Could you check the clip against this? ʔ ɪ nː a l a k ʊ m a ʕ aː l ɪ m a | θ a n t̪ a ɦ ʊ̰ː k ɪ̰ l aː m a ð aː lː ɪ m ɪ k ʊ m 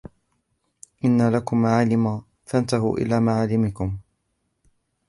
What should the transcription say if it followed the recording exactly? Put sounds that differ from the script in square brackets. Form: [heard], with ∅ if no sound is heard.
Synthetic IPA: ʔ ɪ nː a l a k ʊ m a ʕ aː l ɪ m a | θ a n t̪ a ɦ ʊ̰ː [ʔ] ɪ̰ l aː m a [ʕ] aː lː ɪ m ɪ k ʊ m